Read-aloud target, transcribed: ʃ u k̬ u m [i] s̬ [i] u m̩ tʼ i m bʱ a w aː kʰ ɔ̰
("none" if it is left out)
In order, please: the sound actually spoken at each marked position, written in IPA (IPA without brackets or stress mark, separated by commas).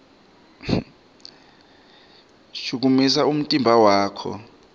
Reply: i, a